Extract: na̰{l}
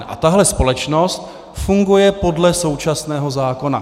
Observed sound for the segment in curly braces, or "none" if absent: none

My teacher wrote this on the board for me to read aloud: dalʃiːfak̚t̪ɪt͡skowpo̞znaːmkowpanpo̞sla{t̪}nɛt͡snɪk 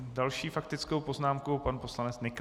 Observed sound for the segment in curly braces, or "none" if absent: none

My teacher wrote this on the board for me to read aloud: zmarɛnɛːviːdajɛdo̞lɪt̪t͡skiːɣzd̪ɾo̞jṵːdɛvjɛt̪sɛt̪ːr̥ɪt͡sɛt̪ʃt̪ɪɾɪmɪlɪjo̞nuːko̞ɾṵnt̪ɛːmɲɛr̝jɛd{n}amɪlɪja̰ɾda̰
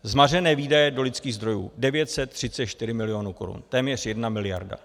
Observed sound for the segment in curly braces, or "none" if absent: n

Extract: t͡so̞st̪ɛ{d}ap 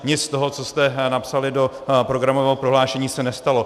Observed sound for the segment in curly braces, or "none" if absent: n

